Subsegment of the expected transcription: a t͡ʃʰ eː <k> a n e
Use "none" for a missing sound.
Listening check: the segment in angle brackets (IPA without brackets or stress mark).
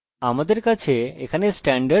kʰ